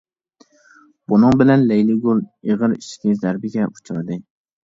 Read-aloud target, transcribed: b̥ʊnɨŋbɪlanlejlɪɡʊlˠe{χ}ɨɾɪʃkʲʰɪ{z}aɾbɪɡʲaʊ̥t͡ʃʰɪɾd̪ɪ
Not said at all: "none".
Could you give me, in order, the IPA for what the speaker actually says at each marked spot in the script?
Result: ʁ, z

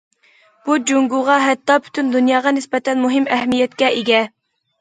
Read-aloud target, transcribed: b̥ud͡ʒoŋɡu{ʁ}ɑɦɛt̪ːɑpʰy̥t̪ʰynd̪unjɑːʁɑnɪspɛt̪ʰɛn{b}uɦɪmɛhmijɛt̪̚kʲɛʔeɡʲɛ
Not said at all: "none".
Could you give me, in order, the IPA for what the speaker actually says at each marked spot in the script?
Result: ʁ, m

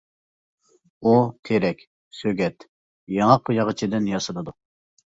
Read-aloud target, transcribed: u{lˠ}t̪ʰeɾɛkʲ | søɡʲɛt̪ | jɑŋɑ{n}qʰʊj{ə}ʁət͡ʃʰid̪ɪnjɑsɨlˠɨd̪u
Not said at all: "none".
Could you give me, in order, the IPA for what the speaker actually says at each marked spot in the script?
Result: none, none, ɑ

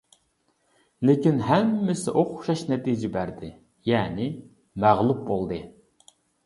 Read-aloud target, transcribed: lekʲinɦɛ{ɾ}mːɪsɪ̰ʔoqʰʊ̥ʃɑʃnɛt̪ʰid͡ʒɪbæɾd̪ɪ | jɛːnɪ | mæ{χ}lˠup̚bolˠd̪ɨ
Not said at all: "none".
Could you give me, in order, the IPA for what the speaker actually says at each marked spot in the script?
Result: none, ʁ

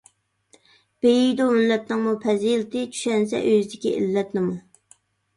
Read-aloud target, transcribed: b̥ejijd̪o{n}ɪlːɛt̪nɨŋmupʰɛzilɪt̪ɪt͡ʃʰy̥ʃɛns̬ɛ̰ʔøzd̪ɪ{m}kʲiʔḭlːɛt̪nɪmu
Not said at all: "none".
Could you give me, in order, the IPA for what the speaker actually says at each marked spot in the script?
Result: m, none

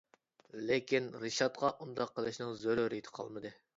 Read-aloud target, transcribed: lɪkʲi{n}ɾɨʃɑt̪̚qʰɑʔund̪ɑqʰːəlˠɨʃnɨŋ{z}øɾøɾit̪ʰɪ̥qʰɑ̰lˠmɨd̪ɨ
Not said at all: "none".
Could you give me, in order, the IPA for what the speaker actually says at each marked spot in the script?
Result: n, z

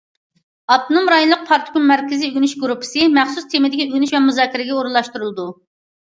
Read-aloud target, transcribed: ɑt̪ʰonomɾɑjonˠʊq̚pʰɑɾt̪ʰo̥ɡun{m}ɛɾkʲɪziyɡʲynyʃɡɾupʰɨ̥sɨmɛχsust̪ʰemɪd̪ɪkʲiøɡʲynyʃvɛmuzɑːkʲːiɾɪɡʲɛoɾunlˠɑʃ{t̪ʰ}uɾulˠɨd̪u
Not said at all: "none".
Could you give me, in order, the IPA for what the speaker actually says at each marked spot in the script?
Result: m, t̪

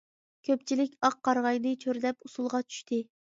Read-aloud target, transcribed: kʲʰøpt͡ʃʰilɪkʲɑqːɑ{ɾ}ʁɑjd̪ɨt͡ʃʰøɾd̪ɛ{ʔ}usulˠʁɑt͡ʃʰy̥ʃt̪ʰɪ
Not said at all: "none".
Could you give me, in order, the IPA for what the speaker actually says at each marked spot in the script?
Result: ɾ, p

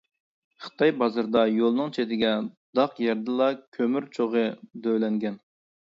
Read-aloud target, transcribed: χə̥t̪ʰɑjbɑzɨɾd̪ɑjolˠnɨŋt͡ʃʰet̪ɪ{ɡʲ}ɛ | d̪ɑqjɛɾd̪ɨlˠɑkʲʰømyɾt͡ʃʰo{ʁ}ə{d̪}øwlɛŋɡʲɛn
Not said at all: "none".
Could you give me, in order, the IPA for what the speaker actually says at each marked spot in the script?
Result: ɡʲ, ʁ, d̪

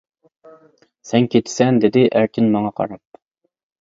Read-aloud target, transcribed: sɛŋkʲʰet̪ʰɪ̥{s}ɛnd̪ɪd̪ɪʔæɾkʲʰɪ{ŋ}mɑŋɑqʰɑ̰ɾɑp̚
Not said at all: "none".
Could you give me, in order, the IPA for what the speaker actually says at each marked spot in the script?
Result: s, n

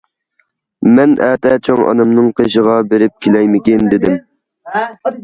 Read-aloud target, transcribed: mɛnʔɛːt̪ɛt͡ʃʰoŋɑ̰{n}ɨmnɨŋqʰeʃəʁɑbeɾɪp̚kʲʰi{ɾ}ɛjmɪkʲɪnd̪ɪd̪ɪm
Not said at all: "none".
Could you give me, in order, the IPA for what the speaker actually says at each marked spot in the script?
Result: n, l

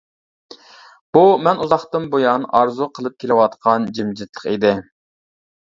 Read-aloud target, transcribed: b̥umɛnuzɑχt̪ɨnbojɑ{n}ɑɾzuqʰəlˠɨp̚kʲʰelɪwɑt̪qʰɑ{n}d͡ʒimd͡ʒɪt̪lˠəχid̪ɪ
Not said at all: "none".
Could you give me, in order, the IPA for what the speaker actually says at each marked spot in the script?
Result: n, n

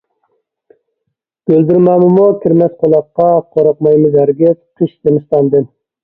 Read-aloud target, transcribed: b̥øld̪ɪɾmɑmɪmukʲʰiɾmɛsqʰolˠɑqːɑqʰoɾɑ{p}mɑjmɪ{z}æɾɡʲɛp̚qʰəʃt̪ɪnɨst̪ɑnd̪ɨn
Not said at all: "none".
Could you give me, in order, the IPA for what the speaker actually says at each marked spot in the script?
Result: q, z

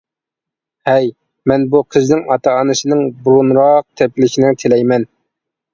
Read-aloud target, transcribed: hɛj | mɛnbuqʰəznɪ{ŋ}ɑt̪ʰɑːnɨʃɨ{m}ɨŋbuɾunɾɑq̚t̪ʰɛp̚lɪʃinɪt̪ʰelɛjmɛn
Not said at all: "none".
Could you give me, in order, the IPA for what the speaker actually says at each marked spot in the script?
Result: ŋ, n

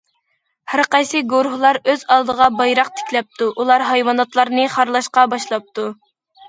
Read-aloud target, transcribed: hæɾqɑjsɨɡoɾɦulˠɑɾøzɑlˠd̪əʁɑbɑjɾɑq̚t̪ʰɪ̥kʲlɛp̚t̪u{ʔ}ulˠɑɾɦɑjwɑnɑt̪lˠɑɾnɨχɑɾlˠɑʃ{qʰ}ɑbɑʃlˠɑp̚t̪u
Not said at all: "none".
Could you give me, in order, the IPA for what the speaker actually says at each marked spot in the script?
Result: ʔ, q

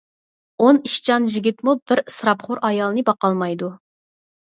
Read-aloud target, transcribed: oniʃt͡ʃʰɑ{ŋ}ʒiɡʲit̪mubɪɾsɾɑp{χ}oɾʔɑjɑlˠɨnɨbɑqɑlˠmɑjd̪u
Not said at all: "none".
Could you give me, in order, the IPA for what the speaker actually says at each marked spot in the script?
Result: n, χ

